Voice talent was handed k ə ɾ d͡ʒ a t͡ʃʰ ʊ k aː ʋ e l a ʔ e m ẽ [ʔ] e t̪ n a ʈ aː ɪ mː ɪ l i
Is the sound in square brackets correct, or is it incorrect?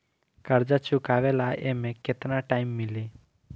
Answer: incorrect: k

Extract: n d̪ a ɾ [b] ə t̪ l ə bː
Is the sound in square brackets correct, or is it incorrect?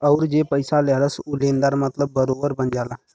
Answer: incorrect: m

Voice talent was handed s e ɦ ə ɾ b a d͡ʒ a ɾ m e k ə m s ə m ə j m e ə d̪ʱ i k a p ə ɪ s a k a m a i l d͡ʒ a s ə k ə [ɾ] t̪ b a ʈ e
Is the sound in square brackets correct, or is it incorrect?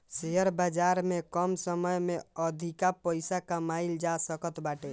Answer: incorrect: none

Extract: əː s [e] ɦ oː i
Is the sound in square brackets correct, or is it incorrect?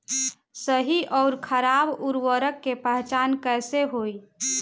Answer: correct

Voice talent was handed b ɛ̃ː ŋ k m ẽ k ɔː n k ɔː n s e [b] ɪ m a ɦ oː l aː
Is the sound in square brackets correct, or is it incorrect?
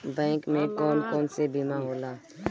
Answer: correct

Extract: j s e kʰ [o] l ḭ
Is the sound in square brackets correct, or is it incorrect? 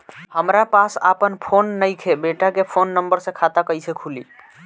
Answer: incorrect: u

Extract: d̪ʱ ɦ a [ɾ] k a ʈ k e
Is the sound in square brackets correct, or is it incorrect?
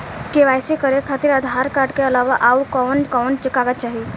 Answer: correct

